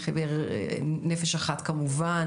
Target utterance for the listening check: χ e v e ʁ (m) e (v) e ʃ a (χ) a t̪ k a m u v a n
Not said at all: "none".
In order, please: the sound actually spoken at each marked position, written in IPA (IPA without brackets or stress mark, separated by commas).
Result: n, f, χ